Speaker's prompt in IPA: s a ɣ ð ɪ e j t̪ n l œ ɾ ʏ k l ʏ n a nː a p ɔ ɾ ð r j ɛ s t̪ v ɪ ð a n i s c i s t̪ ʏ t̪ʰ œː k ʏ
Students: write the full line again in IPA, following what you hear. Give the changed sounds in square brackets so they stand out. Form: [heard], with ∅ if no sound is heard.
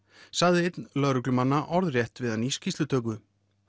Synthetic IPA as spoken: s a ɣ ð ɪ e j t̪ n l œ ɾ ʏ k l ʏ [m] a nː a [ʔ] ɔ ɾ ð r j ɛ [h] t̪ v ɪ ð a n i s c i s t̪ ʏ t̪ʰ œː k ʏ